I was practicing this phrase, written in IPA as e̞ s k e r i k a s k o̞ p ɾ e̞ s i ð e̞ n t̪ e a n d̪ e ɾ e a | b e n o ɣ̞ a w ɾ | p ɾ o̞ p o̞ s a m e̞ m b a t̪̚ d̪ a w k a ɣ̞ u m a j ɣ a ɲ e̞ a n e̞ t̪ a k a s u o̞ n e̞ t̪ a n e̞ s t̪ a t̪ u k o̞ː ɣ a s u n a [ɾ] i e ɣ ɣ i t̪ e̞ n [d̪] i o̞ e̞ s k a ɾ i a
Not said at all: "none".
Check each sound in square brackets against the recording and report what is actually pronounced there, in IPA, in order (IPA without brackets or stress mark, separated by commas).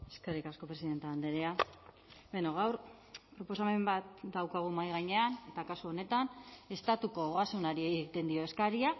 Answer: ɾ, d̪